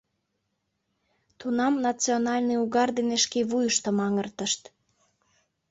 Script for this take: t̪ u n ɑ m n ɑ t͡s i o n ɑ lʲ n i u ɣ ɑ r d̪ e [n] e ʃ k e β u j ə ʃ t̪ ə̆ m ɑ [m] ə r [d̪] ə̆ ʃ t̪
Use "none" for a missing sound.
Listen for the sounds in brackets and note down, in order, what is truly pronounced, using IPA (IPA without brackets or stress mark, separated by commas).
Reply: n, ŋ, t̪